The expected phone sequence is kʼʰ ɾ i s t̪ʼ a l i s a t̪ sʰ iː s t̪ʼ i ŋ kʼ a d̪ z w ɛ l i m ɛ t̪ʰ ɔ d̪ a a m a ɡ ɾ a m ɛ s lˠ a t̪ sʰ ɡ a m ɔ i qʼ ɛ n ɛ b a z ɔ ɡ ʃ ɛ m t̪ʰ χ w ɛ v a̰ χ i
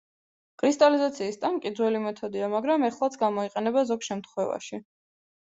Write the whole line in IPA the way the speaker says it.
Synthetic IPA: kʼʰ ɾ i s t̪ʼ a l i z a t̪ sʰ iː s t̪ʼ a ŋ kʼ i d̪ z w ɛ l i m ɛ t̪ʰ ɔ d̪ i a m a ɡ ɾ a m ɛ χ lˠ a t̪ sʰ ɡ a m ɔ i qʼ ɛ n ɛ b a z ɔ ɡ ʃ ɛ m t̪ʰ χ w ɛ v a̰ ʃ i